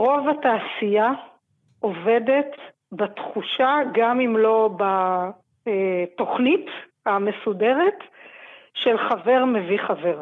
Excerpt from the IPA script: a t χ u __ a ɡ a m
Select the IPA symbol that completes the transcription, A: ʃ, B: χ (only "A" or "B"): A